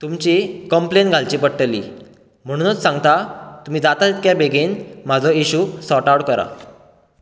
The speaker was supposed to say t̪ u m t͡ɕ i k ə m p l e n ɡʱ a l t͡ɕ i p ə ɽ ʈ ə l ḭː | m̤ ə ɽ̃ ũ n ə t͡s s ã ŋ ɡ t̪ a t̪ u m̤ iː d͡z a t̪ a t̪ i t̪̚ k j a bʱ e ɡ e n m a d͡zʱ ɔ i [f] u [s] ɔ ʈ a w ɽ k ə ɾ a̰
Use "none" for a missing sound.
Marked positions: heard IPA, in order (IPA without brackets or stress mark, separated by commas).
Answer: ɕ, s